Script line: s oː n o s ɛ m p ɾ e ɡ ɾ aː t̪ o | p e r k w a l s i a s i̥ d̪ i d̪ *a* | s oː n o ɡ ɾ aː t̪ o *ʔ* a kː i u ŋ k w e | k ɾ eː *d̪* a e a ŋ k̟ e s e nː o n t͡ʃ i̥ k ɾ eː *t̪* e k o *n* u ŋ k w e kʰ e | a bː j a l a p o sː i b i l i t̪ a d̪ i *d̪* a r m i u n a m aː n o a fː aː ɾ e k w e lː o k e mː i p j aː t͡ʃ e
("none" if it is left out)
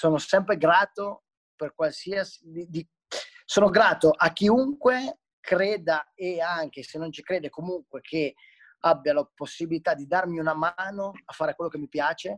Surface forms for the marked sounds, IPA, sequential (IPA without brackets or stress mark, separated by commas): i, ʔ, d̪, d̪, m, d̪